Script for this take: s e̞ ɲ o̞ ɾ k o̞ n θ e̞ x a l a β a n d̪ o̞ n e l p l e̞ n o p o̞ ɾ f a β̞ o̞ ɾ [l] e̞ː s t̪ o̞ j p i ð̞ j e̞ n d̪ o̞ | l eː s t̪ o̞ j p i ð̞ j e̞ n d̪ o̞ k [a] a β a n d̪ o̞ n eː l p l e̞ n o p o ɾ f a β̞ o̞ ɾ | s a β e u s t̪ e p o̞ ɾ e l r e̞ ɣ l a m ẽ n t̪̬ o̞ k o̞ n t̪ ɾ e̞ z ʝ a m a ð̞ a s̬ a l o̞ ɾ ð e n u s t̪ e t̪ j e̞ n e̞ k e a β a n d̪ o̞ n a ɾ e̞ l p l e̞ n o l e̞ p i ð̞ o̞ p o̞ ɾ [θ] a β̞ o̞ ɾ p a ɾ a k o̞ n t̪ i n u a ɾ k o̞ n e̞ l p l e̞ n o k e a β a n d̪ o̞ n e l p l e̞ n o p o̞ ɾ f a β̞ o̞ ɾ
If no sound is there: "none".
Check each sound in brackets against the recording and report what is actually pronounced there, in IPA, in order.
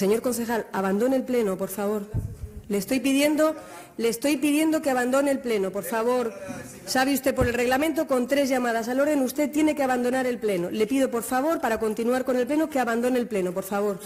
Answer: l, e, f

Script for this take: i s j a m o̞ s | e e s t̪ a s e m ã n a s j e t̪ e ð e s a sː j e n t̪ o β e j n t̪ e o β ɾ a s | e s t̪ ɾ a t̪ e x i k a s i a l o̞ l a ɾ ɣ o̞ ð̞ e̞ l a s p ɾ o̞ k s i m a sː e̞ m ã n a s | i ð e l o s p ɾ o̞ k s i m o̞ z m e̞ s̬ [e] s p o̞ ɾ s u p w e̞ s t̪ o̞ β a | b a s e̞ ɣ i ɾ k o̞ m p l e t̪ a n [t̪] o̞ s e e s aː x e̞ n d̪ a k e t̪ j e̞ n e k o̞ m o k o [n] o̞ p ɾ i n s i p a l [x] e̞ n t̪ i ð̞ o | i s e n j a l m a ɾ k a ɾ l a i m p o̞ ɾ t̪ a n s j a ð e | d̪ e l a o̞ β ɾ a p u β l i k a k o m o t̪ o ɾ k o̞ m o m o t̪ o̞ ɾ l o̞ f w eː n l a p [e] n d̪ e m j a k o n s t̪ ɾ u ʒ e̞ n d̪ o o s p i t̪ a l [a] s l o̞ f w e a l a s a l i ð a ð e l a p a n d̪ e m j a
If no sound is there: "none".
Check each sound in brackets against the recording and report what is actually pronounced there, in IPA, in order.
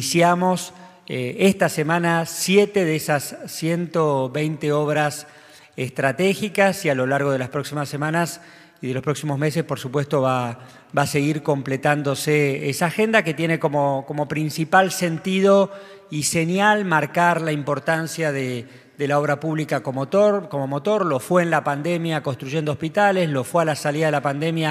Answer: e, d̪, m, s, a, e

